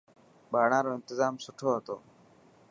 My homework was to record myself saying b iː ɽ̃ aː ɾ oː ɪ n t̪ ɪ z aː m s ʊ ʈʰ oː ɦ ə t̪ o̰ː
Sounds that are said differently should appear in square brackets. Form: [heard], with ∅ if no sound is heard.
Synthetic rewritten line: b [aː] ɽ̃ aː ɾ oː ɪ n t̪ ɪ z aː m s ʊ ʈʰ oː ɦ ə t̪ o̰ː